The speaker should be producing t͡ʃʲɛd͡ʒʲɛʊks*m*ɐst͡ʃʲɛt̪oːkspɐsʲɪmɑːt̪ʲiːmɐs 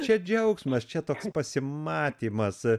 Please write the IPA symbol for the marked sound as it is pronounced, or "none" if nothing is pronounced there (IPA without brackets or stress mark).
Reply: m